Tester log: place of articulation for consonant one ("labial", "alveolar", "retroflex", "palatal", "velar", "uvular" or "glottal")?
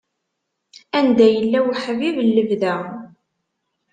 alveolar